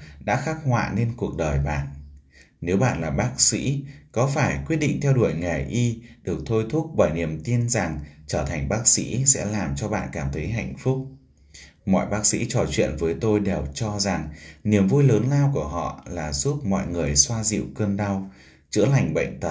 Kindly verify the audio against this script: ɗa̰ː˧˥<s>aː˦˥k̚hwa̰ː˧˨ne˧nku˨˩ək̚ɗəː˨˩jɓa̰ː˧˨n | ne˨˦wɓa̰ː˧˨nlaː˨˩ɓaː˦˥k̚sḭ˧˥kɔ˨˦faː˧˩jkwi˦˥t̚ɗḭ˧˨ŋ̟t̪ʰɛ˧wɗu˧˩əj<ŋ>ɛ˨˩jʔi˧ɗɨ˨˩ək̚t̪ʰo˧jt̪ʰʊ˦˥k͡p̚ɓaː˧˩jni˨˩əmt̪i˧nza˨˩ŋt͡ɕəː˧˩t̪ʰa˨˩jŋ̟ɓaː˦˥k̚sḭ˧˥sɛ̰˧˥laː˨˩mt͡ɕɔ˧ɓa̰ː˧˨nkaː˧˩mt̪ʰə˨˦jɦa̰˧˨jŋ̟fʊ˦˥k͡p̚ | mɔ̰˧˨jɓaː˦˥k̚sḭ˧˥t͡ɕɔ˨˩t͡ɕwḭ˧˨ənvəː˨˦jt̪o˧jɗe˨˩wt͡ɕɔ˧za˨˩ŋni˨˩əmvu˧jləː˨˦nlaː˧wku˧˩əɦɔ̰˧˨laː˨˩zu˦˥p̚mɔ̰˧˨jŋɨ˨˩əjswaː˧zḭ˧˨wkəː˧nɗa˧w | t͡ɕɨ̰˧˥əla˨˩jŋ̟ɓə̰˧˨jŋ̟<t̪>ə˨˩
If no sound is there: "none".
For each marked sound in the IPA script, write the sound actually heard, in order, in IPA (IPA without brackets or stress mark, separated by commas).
x, ŋ, t̪